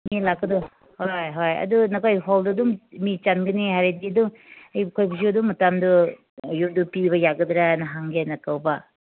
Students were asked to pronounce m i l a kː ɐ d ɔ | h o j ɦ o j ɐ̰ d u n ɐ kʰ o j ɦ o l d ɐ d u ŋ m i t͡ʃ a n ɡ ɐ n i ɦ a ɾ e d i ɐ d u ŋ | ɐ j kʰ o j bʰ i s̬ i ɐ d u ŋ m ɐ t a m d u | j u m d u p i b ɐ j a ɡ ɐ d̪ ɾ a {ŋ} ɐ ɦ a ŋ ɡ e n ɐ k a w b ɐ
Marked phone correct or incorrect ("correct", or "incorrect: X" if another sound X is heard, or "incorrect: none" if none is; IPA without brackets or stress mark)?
incorrect: n